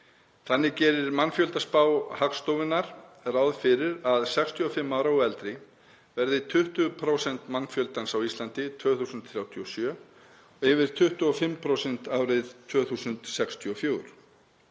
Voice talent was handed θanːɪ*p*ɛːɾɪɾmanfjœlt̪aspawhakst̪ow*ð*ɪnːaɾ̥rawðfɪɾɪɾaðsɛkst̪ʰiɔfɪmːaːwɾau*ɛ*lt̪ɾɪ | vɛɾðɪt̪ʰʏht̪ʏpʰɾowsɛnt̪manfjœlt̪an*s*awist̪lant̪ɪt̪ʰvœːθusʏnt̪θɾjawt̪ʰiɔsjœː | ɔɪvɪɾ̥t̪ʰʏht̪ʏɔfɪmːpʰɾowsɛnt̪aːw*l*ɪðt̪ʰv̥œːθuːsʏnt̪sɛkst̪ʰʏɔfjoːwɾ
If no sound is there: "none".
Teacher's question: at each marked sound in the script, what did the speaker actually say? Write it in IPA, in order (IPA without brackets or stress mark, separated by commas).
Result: c, v, ɛ, s, ɾ